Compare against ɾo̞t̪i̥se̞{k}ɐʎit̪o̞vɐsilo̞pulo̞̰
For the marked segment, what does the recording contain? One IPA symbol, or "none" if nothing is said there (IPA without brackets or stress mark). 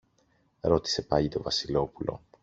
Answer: p